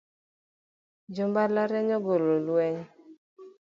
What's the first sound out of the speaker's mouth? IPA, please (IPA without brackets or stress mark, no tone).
d͡ʒ